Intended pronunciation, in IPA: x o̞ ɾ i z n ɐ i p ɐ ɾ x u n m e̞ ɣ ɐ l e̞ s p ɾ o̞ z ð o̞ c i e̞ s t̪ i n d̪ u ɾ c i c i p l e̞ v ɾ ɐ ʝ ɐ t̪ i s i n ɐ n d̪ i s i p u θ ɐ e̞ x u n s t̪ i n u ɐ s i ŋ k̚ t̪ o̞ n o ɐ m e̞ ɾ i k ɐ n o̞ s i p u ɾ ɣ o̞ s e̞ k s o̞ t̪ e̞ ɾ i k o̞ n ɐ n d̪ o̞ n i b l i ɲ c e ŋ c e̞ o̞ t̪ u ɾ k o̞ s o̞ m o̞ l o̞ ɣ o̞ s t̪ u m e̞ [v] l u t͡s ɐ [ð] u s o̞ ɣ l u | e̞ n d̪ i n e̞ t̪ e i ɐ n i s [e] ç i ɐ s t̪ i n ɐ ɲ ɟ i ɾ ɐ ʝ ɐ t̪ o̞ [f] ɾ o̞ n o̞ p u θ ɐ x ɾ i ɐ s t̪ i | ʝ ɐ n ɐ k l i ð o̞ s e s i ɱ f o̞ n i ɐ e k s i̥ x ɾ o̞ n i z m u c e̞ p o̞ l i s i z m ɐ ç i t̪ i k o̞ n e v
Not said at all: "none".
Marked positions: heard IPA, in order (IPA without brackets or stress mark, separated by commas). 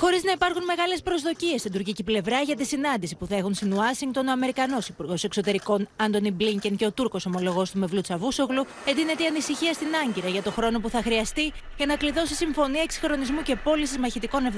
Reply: v, v, i, x